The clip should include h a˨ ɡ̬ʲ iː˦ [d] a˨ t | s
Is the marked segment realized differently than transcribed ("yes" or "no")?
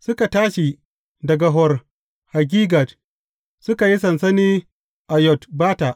yes